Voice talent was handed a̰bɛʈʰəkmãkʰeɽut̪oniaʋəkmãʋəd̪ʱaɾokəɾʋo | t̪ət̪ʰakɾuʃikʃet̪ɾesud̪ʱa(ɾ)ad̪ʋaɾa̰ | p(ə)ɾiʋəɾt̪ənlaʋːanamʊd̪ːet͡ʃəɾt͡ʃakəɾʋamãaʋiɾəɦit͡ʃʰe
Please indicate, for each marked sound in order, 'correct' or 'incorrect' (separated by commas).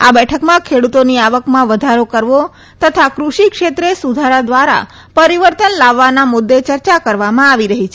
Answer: correct, correct